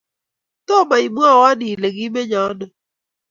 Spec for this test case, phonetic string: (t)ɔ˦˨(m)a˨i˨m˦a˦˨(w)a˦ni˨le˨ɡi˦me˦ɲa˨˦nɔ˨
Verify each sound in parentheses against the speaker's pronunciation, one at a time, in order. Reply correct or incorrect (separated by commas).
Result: correct, correct, correct